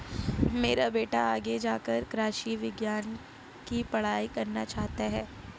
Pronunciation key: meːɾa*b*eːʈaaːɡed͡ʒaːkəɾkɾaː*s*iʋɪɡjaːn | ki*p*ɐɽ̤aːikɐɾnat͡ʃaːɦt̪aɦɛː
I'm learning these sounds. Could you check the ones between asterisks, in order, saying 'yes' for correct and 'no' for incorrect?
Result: yes, no, yes

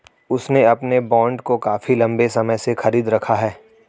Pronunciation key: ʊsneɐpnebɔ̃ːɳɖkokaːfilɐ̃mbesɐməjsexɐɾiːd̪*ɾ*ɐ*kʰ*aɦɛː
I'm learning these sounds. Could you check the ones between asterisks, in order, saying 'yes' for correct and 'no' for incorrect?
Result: yes, yes

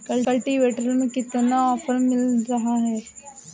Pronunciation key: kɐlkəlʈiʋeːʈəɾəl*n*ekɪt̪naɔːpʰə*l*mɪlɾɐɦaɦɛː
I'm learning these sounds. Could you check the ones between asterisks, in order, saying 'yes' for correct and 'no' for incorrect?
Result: no, no

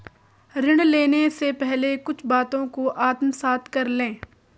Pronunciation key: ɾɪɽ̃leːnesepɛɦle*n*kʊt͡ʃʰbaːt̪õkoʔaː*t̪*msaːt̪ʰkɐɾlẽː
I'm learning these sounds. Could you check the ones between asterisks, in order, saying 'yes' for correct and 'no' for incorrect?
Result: no, yes

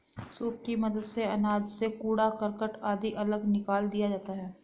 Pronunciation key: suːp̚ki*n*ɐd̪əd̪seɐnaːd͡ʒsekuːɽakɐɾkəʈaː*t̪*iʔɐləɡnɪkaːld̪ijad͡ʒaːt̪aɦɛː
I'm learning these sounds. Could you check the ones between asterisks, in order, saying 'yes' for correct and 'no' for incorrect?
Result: no, no

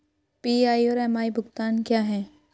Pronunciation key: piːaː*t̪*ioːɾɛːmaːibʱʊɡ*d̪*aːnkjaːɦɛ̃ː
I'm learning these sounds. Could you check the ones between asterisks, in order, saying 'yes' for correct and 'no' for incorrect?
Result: no, no

